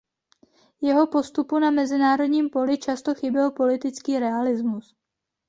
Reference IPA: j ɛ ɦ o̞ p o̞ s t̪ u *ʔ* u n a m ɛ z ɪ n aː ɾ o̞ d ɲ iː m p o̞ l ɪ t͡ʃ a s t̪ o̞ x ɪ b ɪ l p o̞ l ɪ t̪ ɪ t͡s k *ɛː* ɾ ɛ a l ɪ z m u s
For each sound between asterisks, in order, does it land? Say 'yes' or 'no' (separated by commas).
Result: no, no